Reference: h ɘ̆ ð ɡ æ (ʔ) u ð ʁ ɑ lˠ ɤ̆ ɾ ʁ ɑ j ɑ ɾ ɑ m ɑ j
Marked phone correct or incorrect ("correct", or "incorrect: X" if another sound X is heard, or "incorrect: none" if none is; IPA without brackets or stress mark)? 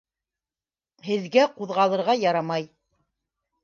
incorrect: q